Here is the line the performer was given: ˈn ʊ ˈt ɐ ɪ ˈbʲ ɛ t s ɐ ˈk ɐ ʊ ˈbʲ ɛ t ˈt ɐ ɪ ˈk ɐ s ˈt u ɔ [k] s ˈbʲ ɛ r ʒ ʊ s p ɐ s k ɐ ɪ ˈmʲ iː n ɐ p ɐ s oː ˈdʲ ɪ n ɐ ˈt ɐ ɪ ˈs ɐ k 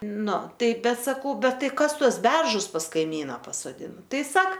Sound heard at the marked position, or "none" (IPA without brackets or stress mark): none